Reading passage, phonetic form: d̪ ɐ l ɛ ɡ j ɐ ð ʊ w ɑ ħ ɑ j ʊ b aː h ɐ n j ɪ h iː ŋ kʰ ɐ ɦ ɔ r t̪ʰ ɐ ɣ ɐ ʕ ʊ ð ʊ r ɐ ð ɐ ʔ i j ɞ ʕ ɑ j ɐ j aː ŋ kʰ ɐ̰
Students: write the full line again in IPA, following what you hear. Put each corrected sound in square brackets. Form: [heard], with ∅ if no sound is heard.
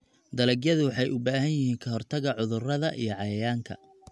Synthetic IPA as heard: d̪ ɐ l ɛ ɡ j ɐ ð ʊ w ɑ ħ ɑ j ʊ b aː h ɐ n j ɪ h iː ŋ kʰ ɐ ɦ ɔ r t̪ʰ ɐ ɣ ɐ ʕ ʊ ð ʊ r ɐ ð ɐ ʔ i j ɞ ʕ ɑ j ɐ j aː ŋ kʰ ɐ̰